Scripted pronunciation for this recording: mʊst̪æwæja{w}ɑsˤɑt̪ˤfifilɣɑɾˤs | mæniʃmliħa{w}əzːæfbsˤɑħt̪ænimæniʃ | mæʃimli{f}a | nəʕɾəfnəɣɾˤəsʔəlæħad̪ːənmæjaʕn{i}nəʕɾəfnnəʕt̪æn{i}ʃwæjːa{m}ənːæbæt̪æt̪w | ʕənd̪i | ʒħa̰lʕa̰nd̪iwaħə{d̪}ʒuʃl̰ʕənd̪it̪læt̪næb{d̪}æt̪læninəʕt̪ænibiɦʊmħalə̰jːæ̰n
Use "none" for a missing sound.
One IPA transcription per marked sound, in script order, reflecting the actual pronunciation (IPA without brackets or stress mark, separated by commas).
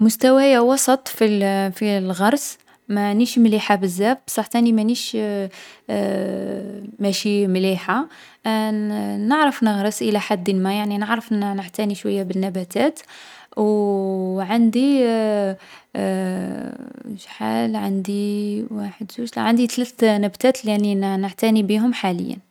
w, b, ħ, i, i, b, d̪, t̪